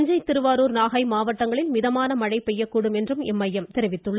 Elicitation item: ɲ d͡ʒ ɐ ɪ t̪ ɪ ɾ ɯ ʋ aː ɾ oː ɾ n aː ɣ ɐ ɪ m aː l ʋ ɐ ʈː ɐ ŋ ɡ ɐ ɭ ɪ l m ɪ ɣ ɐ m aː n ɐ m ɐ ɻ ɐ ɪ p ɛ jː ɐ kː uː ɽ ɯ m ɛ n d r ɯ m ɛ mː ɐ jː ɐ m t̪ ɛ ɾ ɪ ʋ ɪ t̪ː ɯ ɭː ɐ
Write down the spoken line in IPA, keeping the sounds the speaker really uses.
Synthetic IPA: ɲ d͡ʒ ɐ ɪ t̪ ɪ ɾ ɯ ʋ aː ɾ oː ɾ n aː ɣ ɐ ɪ m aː ʋ ɐ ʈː ɐ ŋ ɡ ɐ ɭ ɪ l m ɪ ð ɐ m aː n ɐ m ɐ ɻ ɐ ɪ p ɛ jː ɐ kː uː ɽ ɯ m ɛ n d r ɯ m ɛ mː ɐ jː ɐ m t̪ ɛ ɾ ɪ ʋ ɪ t̪ː ɯ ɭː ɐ